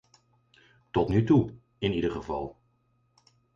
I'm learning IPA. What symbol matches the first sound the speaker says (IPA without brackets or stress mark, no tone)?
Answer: t